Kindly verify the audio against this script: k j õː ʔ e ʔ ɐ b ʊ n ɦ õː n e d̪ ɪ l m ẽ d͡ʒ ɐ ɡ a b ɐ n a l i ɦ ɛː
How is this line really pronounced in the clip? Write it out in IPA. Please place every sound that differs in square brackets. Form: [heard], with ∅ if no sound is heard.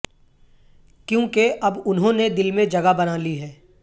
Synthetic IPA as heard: k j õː [k] e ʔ ɐ b ʊ n ɦ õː n e d̪ ɪ l m ẽ d͡ʒ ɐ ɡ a b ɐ n a l i ɦ ɛː